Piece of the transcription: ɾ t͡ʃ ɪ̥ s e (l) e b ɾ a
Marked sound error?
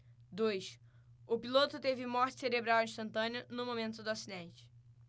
yes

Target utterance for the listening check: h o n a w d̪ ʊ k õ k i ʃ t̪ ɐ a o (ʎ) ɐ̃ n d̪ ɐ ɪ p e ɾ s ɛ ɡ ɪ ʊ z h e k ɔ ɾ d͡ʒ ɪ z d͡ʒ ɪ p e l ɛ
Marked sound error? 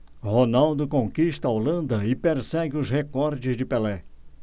yes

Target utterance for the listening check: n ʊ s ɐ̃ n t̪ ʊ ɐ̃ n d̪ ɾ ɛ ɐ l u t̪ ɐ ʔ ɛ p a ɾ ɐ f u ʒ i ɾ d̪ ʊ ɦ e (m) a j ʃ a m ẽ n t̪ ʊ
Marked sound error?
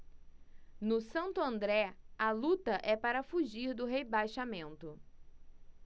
yes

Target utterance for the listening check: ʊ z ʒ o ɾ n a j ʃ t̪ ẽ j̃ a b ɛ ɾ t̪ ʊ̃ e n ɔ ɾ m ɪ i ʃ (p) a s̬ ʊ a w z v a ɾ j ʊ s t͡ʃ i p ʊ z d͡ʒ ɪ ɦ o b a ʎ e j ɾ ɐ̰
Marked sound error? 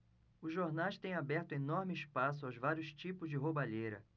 no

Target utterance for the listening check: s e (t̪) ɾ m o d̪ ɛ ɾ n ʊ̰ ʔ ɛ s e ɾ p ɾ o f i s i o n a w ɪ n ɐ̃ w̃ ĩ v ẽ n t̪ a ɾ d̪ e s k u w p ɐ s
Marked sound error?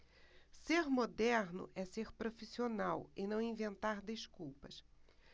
yes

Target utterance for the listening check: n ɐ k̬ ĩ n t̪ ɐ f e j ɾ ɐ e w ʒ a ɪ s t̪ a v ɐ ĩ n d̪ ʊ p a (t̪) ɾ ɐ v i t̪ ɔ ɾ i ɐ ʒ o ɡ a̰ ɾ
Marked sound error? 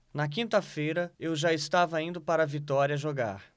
yes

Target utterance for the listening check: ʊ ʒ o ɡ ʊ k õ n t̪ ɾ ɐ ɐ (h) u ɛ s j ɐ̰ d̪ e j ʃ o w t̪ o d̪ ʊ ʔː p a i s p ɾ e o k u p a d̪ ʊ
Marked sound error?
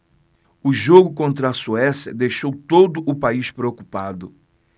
yes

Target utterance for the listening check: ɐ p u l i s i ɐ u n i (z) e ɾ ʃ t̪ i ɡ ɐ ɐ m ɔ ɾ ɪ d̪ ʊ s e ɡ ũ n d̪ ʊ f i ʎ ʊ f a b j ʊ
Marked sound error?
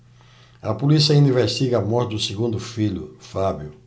yes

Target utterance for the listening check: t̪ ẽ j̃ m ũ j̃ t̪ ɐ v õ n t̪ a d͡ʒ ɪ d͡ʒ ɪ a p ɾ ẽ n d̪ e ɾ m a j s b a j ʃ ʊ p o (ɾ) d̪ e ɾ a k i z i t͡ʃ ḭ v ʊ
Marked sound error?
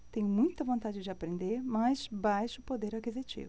yes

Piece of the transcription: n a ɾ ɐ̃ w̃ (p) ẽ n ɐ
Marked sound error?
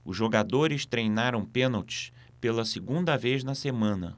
no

